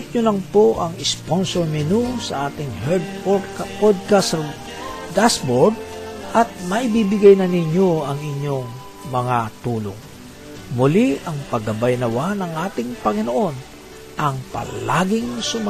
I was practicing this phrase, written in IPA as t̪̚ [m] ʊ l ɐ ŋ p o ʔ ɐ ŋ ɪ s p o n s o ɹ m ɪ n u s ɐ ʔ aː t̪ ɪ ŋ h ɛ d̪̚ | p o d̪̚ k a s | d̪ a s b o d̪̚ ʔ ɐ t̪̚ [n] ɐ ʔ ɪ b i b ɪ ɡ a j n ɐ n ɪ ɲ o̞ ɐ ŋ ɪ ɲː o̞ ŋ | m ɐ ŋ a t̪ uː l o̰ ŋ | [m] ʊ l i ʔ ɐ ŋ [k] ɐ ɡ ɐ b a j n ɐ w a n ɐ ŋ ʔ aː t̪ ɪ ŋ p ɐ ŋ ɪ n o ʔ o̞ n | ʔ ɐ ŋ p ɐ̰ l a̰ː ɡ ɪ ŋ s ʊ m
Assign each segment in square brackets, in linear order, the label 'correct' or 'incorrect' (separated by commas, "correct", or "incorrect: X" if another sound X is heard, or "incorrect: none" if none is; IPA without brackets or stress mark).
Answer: incorrect: ɲ, incorrect: m, correct, incorrect: p